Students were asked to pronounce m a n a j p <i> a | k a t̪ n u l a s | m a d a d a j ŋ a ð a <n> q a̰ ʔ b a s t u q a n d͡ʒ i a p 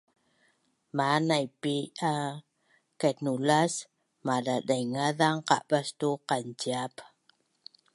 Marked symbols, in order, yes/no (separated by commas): yes, no